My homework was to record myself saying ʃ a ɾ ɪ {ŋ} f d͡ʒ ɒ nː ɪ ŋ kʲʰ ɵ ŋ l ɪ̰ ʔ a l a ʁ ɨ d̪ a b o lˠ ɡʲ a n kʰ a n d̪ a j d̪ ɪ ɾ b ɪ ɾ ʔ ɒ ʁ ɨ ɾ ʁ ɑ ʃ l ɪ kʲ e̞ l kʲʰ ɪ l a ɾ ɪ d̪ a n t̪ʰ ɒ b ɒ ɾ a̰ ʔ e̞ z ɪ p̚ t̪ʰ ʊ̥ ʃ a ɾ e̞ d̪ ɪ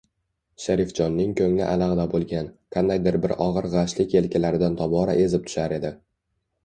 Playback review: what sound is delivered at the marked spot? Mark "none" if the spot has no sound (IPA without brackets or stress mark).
none